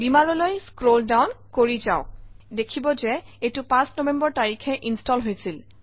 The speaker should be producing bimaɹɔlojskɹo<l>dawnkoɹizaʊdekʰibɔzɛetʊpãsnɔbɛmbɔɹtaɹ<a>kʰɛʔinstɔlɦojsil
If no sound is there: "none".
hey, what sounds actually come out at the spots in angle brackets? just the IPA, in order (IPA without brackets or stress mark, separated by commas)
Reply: l, i